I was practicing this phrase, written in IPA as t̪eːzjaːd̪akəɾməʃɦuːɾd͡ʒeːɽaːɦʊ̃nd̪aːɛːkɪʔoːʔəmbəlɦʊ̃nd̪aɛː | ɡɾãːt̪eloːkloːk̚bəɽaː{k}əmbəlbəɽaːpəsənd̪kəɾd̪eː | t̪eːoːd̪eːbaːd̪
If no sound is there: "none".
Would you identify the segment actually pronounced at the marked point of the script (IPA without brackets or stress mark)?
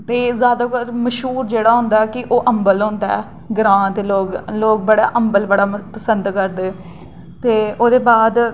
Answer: ʔ